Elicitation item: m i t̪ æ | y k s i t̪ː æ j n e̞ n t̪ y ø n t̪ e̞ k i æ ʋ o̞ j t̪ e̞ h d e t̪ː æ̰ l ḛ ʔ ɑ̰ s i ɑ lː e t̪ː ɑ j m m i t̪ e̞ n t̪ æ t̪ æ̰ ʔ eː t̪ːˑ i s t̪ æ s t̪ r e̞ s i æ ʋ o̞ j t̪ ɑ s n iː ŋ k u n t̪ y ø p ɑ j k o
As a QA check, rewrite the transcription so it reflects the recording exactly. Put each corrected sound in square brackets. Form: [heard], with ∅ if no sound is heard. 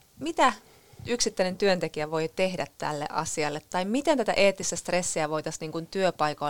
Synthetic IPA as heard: m i t̪ æ | y k s i t̪ː æ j n e̞ n t̪ y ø n t̪ e̞ k i æ ʋ o̞ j t̪ e̞ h d [æ] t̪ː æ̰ [lː] ḛ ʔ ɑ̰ s i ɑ lː e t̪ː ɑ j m m i t̪ e̞ n t̪ æ t̪ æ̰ ʔ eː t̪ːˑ i s t̪ æ s t̪ r e̞ [sː] i æ ʋ o̞ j t̪ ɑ s n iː ŋ k u n t̪ y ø p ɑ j k o